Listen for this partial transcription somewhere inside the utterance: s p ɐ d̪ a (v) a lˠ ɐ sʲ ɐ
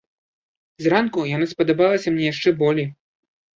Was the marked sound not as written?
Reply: yes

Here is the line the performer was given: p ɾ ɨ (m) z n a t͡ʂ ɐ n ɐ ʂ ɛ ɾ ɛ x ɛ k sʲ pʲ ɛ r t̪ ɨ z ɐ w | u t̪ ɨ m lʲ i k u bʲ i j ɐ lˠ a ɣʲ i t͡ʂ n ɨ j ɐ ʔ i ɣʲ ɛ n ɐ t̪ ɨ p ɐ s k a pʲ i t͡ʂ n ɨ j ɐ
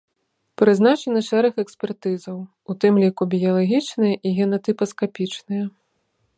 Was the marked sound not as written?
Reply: yes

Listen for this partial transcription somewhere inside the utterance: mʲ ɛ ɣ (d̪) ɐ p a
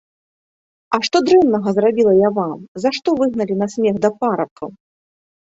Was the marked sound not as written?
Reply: no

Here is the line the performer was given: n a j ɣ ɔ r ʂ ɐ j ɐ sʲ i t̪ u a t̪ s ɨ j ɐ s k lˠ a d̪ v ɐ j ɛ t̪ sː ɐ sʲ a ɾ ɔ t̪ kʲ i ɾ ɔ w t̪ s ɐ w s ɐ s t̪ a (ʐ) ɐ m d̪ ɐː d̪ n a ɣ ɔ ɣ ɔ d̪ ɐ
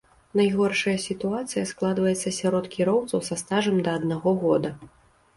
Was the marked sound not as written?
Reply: no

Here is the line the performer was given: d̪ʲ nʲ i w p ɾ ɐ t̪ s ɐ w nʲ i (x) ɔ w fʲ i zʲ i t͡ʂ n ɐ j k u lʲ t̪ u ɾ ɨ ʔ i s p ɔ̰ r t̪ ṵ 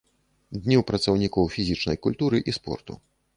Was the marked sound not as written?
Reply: yes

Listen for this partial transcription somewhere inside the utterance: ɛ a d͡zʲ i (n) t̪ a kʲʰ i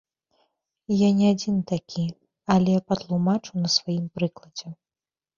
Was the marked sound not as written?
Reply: no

